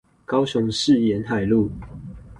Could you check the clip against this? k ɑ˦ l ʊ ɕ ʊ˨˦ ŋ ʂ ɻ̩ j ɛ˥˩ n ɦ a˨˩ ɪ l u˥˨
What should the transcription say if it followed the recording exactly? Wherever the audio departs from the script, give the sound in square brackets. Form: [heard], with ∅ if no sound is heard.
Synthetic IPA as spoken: k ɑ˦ [∅] ʊ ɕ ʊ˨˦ ŋ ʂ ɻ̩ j [ɛ˨˦] n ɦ a˨˩ ɪ l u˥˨